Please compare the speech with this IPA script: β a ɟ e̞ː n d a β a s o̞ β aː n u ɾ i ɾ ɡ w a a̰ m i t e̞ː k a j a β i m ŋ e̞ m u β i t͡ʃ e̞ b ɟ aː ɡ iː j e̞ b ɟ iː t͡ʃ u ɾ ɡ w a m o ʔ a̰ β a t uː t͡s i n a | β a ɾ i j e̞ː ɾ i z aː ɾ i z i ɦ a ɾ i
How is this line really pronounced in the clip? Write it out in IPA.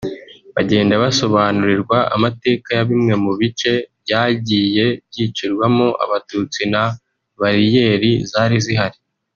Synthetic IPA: β a ɟ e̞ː n d a β a s o̞ β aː n u ɾ i ɾ ɡ w a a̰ m a t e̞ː k a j a β i m ŋ e̞ m u β i t͡ʃ e̞ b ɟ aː ɟ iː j e̞ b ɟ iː t͡ʃ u ɾ ɡ w a m o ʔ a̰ β a t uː t͡s i n a | β a ɾ i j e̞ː ɾ i z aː ɾ i z i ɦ a ɾ i